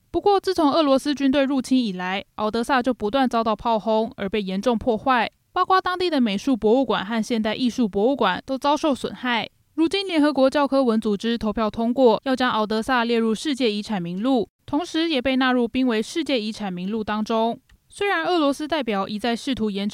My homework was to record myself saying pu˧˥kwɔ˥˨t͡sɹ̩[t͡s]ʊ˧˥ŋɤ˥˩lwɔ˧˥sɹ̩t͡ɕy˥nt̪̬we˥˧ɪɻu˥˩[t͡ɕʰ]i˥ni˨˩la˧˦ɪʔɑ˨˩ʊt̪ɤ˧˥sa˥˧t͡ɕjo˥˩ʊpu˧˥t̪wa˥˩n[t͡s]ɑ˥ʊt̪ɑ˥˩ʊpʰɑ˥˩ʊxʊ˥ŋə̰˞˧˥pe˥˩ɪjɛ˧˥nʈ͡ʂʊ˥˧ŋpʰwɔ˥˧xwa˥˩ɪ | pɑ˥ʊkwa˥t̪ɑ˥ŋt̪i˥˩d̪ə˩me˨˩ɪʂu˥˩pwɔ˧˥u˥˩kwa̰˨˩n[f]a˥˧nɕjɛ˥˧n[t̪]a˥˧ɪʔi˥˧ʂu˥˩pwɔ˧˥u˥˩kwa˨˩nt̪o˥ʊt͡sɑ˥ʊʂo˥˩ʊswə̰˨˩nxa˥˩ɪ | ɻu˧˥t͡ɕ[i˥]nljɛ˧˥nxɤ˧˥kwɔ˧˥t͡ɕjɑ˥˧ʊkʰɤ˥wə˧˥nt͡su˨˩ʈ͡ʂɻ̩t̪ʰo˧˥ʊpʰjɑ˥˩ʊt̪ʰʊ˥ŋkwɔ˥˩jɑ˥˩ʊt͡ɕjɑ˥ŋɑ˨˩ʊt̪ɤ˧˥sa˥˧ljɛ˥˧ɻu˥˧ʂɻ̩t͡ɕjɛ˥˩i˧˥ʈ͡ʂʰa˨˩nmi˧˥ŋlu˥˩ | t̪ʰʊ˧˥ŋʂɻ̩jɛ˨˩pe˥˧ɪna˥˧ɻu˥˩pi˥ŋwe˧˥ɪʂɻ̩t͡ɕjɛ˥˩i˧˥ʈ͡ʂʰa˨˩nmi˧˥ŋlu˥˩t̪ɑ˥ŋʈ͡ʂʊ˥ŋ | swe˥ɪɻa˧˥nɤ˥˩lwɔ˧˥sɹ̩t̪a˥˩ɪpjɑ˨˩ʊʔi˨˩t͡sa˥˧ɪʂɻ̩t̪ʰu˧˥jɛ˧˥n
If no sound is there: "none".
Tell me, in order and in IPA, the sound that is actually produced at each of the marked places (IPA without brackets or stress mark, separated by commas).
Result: t͡sʰ, t͡ɕʰ, t͡s, x, t̪, i˥